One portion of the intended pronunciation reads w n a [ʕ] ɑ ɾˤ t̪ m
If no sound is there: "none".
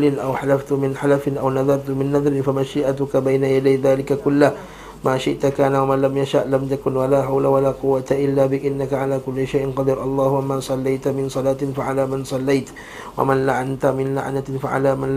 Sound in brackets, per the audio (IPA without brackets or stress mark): ð